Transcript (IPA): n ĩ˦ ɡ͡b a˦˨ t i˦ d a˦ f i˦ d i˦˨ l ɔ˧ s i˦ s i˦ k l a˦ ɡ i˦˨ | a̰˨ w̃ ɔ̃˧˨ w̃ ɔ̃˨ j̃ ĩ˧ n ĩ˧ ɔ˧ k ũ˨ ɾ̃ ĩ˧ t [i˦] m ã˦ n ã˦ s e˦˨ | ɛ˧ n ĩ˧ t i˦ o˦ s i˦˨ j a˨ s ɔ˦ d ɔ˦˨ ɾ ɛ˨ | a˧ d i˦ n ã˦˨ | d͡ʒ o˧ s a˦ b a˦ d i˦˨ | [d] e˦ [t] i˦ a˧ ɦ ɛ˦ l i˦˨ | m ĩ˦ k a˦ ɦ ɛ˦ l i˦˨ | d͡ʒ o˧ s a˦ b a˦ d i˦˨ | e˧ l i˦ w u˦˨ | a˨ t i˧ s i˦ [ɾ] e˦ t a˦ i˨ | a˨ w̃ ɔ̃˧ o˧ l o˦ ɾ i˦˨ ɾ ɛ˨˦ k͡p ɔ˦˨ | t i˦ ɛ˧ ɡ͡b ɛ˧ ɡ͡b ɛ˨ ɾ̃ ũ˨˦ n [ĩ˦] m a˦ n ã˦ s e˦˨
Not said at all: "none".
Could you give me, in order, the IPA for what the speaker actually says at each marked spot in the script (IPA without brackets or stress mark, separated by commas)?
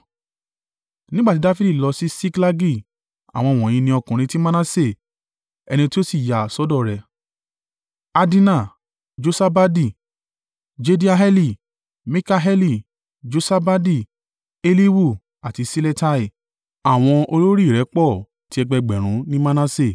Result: i˦, d͡ʒ, d, l, ĩ˦